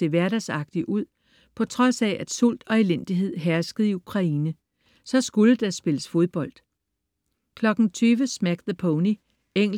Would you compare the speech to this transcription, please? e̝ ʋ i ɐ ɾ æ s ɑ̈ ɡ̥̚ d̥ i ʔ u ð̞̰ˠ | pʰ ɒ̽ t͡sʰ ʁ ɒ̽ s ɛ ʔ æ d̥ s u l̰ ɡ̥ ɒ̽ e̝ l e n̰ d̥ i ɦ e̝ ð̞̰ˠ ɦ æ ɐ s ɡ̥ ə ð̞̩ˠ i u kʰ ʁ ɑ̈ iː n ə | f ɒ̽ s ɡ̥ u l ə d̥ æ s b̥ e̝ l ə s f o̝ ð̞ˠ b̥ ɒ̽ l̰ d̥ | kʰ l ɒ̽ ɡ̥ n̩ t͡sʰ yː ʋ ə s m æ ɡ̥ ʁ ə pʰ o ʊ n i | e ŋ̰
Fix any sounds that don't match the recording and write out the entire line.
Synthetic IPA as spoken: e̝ ʋ æ ɐ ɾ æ s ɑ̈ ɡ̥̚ d̥ i ʔ u ð̞̰ˠ | pʰ ɒ̽ t͡sʰ ʁ ɒ̽ s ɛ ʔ æ d̥ s u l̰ d̥ ɒ̽ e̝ l e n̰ d̥ i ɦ e̝ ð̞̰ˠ ɦ æ ɐ s ɡ̥ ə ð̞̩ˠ i u kʰ ʁ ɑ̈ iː n ə | s ɒ̽ s ɡ̥ u l ə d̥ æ s b̥ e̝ l ə s f o̝ ð̞ˠ b̥ ɒ̽ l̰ d̥ | kʰ l ɒ̽ ɡ̥ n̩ t͡sʰ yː ʋ ə s m æ ɡ̥ ð ə pʰ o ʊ n i | e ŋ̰

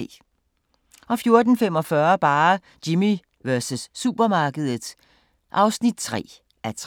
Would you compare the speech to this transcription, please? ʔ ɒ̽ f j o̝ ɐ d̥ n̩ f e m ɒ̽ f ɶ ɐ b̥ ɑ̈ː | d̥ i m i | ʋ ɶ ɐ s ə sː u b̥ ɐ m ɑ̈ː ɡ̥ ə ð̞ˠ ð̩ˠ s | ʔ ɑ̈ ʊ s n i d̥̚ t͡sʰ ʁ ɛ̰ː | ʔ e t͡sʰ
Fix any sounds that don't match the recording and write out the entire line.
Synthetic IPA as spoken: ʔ ɒ̽ f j o̝ ɐ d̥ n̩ f e m ɒ̽ f ɶ ɐ b̥ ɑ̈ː | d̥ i m i | ʋ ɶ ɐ s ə sː u b̥ ɐ m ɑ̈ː ɡ̥ ə ð̞ˠ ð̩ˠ s | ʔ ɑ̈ ʊ s n i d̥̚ t͡sʰ ʁ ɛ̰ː | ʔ æ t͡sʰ

